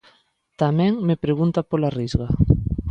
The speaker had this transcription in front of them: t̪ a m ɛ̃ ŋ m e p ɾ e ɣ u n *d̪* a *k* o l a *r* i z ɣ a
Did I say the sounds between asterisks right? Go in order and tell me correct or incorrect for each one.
incorrect: t̪, incorrect: p, correct

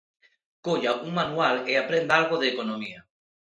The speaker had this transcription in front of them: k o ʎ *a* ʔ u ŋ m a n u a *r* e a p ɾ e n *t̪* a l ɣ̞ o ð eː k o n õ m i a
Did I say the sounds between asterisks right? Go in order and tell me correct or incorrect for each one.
correct, incorrect: l, incorrect: d̪

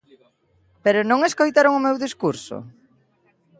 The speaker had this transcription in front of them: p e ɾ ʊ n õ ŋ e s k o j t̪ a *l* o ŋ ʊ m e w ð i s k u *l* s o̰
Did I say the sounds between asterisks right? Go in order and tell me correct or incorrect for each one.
incorrect: ɾ, incorrect: ɾ

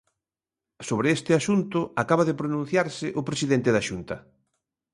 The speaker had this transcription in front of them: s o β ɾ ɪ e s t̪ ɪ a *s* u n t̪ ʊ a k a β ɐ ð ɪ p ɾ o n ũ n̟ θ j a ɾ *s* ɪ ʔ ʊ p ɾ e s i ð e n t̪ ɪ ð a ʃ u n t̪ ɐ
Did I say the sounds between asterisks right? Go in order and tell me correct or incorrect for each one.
incorrect: ʃ, correct

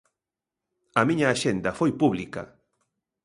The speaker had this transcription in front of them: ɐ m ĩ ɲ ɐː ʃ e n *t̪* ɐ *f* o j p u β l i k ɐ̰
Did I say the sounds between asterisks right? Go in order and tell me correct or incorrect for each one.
incorrect: d̪, correct

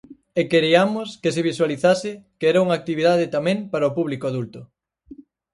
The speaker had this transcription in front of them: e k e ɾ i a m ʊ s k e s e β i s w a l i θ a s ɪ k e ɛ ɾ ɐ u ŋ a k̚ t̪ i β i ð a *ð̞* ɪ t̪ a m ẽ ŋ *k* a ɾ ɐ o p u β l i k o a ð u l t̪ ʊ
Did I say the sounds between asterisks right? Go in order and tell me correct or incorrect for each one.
correct, incorrect: p

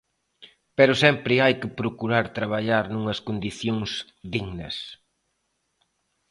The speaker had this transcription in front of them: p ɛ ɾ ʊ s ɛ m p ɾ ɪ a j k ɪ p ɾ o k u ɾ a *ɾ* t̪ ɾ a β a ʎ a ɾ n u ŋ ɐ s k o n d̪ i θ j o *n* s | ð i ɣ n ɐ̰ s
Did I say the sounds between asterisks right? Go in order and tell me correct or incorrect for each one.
correct, incorrect: ŋ

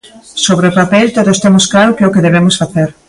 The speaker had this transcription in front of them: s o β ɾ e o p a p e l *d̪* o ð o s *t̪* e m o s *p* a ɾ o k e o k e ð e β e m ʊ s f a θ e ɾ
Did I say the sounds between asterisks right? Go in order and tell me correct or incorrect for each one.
incorrect: t̪, correct, incorrect: k

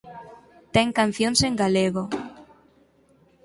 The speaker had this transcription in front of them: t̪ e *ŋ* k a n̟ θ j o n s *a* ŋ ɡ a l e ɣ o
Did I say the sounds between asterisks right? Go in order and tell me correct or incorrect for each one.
correct, incorrect: e

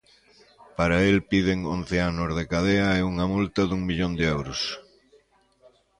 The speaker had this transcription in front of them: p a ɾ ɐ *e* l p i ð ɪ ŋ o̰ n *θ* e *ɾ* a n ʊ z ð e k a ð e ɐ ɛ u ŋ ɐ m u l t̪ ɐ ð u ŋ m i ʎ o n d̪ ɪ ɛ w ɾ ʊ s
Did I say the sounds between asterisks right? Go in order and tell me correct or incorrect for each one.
correct, correct, incorrect: none

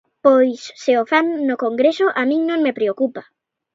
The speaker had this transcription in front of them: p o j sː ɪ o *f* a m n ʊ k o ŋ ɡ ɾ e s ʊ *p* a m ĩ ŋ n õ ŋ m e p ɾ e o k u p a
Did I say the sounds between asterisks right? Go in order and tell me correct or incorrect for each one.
correct, incorrect: ʔ

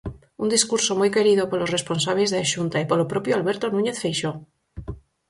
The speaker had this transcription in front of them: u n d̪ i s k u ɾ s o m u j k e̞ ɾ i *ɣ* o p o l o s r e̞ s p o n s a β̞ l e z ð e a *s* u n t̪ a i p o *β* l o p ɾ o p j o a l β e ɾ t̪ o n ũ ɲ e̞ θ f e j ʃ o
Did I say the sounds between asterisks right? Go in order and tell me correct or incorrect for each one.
incorrect: ð, incorrect: ʃ, incorrect: none

